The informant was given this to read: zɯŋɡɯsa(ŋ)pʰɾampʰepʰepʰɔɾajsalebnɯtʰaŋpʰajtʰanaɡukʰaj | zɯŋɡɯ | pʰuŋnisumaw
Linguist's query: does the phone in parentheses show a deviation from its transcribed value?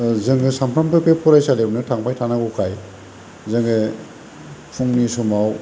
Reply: yes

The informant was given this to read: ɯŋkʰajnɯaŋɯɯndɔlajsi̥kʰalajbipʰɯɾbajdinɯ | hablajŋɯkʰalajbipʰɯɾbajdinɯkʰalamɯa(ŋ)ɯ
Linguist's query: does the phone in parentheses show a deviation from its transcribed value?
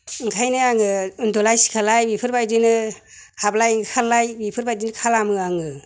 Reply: no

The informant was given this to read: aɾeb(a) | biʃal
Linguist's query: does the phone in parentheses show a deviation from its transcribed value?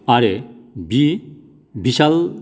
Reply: yes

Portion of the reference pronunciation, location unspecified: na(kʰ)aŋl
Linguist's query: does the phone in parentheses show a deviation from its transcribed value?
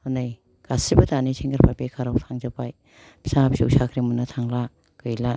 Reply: yes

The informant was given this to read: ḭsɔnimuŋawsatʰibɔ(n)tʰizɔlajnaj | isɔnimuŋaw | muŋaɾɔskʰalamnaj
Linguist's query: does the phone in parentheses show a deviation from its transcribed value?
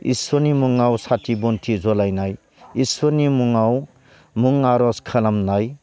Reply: no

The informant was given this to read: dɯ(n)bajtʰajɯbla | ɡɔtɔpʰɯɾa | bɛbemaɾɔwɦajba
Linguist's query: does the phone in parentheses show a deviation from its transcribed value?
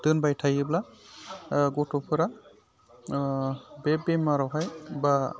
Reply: no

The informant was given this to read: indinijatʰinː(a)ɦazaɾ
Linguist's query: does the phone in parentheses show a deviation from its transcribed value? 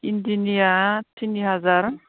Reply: yes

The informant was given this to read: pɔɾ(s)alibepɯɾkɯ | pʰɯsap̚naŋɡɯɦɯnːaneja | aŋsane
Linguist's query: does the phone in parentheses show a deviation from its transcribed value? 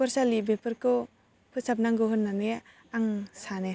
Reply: no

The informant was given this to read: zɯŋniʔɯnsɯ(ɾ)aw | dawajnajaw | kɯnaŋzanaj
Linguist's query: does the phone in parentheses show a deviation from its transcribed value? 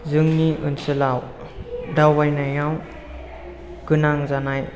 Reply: yes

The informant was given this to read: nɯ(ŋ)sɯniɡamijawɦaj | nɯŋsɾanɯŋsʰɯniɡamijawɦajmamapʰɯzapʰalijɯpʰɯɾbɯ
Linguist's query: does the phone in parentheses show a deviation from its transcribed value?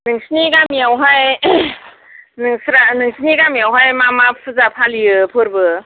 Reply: no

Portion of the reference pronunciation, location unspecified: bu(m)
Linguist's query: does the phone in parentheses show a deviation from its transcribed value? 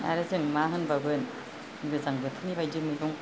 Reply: yes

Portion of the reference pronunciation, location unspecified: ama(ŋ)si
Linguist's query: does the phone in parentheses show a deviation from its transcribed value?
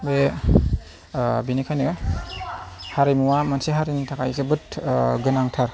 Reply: yes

